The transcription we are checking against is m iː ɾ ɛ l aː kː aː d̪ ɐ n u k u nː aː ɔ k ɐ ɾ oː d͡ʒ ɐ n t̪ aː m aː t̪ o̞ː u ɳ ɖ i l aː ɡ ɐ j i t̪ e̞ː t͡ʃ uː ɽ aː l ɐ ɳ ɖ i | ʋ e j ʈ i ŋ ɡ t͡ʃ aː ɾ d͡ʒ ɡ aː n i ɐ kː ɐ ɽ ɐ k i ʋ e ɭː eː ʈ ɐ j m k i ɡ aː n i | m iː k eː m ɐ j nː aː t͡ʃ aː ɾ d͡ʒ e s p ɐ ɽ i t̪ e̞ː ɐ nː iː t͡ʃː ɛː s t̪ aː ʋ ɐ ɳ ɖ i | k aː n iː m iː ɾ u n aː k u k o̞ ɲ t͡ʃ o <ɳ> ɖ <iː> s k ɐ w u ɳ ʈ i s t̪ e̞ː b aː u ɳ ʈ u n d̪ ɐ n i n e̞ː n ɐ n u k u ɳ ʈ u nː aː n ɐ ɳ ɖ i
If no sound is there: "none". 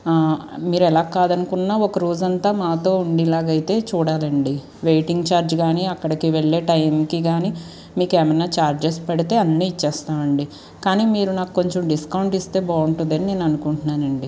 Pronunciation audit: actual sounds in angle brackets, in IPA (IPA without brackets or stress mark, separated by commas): m, i